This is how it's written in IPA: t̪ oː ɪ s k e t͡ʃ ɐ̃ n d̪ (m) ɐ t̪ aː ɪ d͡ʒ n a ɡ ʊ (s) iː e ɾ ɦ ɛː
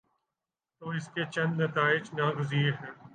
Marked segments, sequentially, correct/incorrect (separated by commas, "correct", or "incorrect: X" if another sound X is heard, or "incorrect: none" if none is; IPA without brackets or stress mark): incorrect: n, incorrect: z